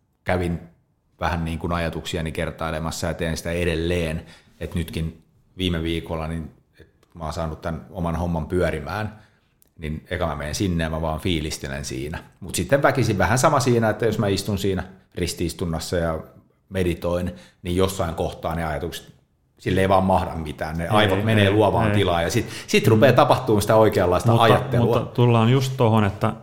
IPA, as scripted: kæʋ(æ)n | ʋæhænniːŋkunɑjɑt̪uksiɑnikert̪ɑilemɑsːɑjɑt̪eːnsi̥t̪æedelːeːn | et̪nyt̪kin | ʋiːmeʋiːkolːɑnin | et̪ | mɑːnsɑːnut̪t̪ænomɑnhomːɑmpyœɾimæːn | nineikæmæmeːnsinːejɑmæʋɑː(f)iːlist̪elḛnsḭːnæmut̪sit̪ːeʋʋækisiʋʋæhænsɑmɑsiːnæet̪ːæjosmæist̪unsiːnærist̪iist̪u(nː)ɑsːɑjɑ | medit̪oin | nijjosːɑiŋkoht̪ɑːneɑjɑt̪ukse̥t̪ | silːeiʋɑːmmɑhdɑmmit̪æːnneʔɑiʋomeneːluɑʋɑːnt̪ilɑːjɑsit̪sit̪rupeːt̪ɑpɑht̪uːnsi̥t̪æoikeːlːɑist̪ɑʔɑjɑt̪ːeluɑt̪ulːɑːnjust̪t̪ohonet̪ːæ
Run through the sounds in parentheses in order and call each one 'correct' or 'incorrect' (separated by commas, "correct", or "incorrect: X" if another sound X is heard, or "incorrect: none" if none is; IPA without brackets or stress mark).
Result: incorrect: i, correct, correct